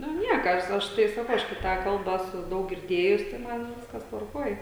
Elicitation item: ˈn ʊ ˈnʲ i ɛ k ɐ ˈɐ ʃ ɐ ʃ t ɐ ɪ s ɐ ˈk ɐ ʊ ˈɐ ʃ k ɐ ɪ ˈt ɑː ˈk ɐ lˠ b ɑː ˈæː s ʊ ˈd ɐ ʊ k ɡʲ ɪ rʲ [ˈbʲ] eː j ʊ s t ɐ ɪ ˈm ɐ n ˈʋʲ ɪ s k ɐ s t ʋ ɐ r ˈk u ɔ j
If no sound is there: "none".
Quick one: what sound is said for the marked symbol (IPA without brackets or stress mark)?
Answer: dʲ